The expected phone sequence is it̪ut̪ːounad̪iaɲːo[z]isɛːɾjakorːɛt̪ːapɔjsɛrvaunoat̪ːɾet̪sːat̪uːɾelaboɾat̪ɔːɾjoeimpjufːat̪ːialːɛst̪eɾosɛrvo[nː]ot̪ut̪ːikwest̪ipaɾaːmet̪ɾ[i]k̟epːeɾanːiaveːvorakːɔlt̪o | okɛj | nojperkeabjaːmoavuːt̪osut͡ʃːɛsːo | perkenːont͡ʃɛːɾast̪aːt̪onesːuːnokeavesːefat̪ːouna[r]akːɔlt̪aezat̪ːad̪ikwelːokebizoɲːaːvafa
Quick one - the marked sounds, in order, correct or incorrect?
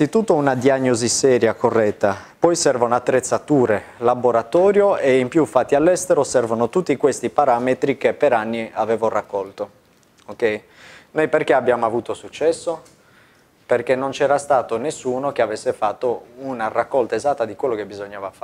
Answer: correct, incorrect, correct, correct

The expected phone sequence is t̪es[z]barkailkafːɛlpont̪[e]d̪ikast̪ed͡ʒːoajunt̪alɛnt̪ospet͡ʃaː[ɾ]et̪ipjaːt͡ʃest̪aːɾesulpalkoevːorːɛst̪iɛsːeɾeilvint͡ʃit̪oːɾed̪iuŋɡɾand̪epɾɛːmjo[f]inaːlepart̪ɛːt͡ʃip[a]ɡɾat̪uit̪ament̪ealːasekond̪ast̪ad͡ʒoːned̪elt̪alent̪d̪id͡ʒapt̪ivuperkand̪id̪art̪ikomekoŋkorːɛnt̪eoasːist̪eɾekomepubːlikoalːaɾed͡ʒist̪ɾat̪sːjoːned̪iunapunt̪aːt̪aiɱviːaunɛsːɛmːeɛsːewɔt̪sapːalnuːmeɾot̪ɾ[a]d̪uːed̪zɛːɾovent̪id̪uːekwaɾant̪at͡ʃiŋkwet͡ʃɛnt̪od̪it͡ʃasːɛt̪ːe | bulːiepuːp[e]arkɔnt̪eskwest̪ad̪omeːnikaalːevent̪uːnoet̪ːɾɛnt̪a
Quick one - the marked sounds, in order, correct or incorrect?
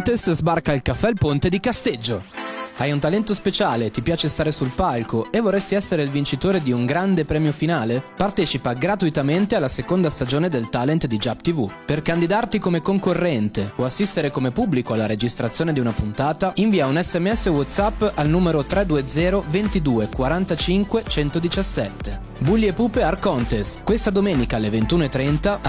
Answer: correct, correct, incorrect, correct, correct, incorrect, correct

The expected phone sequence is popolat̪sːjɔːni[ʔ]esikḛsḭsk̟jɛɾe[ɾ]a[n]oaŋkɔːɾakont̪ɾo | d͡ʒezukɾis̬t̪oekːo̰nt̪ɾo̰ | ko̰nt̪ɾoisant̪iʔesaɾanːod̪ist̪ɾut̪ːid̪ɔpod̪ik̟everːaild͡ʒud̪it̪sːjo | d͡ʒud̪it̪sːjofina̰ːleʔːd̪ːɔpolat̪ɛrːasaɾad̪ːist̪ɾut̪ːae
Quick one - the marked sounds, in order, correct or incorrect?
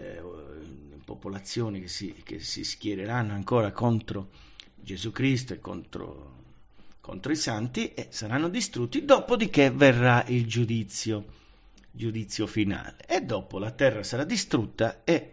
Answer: incorrect, correct, incorrect

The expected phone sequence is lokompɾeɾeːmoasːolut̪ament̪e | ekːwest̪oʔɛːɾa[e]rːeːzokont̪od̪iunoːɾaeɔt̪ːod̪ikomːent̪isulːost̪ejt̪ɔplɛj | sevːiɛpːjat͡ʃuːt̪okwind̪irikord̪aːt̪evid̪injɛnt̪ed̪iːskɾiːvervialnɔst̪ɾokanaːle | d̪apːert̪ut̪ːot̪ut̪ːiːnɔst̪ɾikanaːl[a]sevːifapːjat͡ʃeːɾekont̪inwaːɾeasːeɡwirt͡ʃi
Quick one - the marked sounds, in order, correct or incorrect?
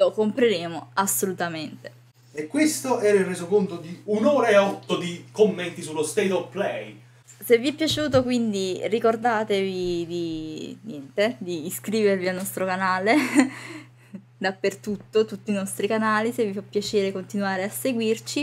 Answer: incorrect, incorrect

